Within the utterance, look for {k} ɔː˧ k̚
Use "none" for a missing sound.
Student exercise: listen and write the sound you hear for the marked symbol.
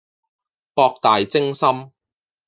p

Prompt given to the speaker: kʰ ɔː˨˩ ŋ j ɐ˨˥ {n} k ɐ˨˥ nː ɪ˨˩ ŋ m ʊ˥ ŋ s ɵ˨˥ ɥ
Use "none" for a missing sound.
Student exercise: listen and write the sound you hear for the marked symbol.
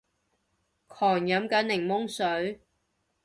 m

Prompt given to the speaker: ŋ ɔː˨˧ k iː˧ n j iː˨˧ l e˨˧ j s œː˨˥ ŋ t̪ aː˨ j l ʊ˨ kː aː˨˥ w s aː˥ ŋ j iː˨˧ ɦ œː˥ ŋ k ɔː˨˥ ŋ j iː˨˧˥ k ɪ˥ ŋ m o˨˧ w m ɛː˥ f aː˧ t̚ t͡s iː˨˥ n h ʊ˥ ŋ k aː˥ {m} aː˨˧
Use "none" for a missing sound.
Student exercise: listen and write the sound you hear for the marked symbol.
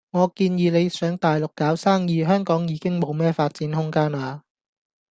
n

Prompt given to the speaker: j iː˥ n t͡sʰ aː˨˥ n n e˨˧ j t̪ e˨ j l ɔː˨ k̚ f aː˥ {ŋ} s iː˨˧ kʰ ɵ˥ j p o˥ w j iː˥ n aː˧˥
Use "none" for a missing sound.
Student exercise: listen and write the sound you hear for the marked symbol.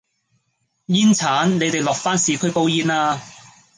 n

